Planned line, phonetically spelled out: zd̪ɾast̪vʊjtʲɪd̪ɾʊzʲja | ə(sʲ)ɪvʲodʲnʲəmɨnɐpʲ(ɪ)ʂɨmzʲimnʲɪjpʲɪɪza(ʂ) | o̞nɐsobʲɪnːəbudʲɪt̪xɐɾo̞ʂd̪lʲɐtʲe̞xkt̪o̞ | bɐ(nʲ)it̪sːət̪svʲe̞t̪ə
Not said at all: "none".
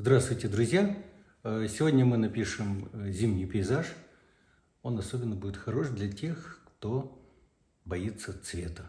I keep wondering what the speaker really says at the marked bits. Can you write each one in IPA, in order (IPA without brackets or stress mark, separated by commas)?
sʲ, i, ʂ, none